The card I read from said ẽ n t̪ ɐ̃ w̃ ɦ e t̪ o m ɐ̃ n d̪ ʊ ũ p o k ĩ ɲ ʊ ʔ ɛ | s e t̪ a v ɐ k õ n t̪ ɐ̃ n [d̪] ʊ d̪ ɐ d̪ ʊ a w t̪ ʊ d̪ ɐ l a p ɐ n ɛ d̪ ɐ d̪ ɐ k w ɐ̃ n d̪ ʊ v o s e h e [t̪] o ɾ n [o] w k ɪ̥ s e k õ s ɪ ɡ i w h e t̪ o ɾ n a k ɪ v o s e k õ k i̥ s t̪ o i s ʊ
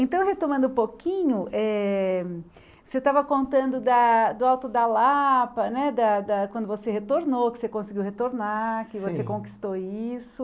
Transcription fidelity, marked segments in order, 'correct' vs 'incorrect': correct, correct, correct

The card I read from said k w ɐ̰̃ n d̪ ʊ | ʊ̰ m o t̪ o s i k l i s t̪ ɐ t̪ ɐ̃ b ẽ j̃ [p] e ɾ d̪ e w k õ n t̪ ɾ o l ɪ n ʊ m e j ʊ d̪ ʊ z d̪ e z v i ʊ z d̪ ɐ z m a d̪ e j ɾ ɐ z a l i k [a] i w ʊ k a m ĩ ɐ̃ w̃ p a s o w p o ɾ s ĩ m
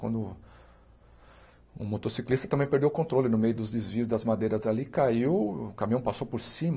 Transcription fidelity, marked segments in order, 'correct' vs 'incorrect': correct, correct

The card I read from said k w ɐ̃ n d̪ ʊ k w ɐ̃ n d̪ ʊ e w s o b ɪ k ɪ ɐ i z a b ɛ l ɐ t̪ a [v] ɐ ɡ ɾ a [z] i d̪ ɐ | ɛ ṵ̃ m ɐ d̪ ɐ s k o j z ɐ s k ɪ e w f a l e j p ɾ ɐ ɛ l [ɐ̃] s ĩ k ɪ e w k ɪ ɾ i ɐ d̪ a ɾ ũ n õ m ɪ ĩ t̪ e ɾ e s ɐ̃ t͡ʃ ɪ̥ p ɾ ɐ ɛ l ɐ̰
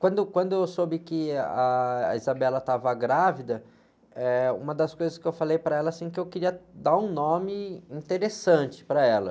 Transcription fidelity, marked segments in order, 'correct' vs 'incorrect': correct, incorrect: v, incorrect: ɐ

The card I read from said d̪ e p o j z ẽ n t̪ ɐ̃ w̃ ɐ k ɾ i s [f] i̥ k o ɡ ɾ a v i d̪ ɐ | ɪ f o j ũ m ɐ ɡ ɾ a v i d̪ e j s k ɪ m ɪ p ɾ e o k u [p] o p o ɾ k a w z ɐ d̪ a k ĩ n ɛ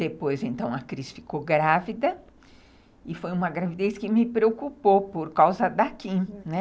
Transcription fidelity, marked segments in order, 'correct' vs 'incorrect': correct, correct

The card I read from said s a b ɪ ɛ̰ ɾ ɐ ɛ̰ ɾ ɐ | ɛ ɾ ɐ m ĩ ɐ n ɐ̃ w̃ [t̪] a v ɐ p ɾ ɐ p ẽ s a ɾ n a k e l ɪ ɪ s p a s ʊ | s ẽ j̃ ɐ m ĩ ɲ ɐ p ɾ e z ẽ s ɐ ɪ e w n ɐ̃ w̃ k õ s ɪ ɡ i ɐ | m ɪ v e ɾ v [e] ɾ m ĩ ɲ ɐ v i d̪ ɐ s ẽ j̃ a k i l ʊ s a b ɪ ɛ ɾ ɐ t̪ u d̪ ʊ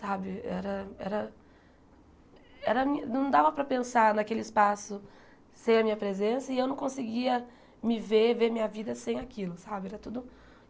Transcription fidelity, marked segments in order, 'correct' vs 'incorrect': incorrect: d̪, correct

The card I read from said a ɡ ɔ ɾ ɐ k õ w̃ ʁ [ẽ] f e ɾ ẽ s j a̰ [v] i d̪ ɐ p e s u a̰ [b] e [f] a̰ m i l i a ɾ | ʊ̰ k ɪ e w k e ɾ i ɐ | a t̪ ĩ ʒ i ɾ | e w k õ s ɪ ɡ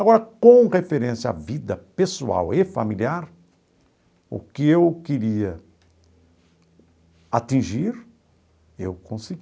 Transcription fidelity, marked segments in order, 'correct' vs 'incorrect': incorrect: e, correct, incorrect: w, correct

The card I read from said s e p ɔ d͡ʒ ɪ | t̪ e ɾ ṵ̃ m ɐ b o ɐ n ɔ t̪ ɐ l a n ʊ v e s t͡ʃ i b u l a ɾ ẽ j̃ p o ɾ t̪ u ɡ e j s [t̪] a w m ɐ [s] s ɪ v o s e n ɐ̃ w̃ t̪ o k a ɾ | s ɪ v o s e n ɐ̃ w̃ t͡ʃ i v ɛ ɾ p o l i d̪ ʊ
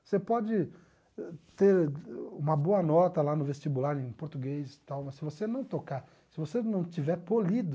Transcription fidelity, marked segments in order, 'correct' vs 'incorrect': correct, correct

